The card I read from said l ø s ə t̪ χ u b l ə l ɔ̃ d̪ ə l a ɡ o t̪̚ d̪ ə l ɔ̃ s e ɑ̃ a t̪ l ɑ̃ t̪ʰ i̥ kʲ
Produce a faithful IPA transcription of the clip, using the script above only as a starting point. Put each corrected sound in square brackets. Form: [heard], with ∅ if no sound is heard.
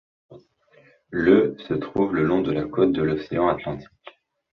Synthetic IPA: l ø s ə t̪ χ u [v] l ə l ɔ̃ d̪ ə l a [k] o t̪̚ d̪ ə l [ɔ] s e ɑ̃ a t̪ l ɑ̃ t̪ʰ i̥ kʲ